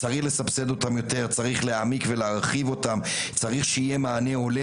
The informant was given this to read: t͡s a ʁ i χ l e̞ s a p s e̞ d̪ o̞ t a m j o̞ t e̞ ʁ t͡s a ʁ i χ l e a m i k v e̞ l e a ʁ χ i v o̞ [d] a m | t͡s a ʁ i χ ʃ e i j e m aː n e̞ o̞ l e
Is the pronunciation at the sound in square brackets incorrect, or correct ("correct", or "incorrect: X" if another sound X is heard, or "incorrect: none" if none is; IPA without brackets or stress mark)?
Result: incorrect: t